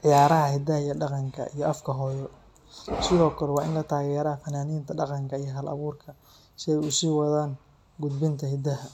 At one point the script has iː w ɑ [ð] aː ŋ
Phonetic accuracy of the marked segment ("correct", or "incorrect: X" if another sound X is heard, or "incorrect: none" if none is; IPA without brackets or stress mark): correct